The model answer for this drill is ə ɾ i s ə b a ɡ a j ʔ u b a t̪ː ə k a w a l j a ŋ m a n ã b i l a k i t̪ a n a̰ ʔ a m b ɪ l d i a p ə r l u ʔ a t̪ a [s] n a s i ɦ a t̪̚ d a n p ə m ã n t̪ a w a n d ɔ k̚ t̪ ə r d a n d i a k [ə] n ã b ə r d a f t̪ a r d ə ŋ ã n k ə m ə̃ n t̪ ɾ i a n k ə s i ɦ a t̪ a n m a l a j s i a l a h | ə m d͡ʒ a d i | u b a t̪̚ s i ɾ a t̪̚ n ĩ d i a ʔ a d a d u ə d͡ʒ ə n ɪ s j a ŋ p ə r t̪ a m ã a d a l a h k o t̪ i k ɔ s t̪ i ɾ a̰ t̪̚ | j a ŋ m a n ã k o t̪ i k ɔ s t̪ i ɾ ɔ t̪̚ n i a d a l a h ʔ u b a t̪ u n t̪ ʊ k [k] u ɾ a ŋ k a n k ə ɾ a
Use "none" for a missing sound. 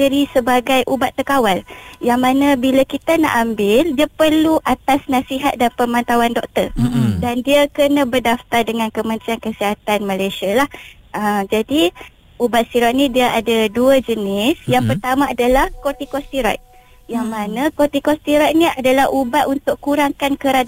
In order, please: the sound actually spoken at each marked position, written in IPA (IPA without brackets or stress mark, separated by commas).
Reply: s, ə, k